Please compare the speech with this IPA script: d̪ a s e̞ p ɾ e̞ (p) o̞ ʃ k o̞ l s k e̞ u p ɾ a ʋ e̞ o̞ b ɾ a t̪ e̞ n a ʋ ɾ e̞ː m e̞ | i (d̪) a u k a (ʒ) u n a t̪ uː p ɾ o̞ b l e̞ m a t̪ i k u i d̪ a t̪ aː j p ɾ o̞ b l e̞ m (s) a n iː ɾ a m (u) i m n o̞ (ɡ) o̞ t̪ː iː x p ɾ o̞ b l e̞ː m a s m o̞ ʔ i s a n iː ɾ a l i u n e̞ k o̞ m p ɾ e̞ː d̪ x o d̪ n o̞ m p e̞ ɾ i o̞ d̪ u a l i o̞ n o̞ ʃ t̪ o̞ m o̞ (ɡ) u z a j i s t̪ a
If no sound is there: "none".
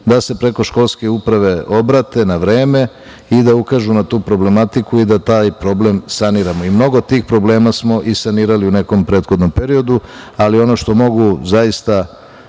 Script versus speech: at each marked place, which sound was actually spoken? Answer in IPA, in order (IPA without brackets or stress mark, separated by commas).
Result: k, d̪, ʒ, s, o, ɡ, ɡ